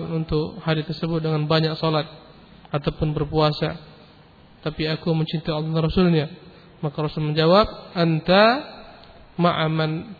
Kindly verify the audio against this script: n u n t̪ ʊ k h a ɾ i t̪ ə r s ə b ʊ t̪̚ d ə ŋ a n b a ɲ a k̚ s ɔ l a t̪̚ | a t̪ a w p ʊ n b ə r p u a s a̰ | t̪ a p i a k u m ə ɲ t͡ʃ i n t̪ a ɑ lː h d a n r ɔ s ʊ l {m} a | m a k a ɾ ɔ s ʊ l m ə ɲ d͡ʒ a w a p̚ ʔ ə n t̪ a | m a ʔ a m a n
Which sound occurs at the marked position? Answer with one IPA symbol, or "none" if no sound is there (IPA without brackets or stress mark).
ɲ